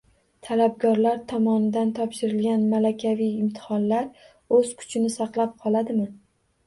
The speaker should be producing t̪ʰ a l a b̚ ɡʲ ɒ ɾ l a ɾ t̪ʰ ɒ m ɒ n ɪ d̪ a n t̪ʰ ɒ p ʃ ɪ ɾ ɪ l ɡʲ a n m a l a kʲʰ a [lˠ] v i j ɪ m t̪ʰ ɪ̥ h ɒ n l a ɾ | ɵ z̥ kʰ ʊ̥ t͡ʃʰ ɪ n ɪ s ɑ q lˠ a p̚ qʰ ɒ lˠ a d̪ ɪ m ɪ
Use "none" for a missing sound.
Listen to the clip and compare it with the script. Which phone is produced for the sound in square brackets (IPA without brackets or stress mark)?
none